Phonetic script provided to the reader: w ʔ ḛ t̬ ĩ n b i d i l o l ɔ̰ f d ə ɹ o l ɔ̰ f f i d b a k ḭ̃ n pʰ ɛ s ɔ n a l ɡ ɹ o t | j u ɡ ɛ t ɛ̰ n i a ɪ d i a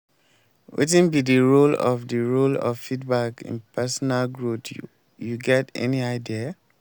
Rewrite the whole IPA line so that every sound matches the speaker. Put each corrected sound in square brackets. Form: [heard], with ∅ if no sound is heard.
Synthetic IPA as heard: w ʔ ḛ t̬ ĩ n b i d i [ɹ] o l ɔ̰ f d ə ɹ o l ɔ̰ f f i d b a k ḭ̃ n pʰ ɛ s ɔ n a l ɡ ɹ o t | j u ɡ ɛ t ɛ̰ n i a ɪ d i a